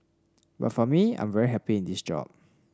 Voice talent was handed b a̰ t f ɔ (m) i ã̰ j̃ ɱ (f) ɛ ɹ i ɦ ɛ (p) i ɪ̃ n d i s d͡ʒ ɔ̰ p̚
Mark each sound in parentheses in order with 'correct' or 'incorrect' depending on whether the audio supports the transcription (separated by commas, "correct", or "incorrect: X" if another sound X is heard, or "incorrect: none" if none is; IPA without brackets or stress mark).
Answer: correct, incorrect: v, correct